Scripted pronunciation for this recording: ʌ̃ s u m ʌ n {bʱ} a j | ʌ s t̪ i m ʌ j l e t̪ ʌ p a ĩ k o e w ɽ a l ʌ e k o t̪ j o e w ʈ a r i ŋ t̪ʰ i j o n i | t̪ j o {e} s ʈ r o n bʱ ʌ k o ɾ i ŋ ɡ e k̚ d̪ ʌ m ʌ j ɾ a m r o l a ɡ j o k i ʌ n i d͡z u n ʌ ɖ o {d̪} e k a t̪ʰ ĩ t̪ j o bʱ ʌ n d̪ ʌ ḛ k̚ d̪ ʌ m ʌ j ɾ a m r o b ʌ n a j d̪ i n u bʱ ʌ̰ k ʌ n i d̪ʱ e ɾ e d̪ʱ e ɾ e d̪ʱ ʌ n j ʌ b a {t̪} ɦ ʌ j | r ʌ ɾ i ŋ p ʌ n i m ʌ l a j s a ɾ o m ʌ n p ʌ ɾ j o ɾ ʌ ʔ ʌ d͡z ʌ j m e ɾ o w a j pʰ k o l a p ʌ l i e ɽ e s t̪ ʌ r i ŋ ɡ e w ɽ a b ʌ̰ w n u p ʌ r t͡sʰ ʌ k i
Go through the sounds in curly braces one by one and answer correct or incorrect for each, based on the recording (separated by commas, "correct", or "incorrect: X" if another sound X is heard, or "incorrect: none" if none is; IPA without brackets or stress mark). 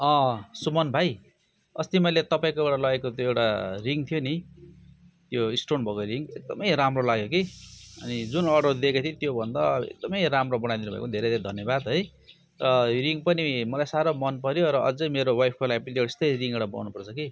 correct, incorrect: i, correct, incorrect: d̪